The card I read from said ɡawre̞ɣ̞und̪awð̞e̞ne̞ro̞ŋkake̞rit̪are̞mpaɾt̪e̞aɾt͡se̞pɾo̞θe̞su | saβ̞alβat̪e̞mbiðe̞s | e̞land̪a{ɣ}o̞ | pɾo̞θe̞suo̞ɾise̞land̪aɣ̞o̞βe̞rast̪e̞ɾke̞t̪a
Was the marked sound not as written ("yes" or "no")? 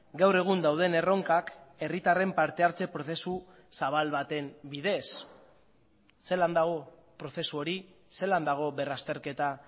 no